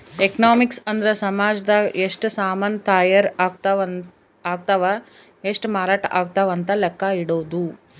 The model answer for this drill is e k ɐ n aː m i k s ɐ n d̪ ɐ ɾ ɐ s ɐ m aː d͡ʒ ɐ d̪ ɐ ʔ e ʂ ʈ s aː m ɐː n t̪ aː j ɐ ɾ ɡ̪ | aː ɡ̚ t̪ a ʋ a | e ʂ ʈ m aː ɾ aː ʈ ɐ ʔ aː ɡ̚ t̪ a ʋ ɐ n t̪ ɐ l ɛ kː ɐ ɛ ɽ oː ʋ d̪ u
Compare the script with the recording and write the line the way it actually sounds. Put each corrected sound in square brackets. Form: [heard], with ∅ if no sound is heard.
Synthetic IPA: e k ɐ n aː m i k s ɐ n d̪ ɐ ɾ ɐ s ɐ m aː d͡ʒ ɐ d̪ ɐ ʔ e ʂ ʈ s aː m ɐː n t̪ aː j ɐ ɾ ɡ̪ | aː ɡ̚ t̪ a ʋ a | e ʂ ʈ m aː ɾ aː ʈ ɐ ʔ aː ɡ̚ t̪ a ʋ ɐ n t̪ ɐ l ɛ kː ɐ [i] ɽ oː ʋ d̪ u